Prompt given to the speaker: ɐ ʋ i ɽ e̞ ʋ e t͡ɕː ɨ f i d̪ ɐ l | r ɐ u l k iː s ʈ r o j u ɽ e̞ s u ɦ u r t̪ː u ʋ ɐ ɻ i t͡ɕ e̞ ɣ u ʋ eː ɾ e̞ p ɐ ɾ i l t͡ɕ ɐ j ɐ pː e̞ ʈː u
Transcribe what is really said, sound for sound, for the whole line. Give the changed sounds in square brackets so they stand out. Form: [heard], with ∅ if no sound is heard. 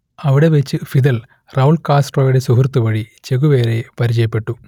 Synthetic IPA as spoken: ɐ ʋ i ɽ e̞ ʋ e t͡ɕː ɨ f i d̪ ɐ l | r ɐ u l k [aː] s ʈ r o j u ɽ e̞ s u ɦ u r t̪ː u ʋ ɐ ɻ i t͡ɕ e̞ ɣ u ʋ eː ɾ e̞ p ɐ ɾ i [∅] t͡ɕ ɐ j ɐ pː e̞ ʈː u